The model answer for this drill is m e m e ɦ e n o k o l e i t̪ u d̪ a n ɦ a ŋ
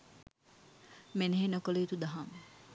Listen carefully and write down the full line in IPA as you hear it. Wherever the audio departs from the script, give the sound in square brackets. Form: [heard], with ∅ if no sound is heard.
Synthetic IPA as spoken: m e [n] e ɦ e n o k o l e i t̪ u d̪ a [∅] ɦ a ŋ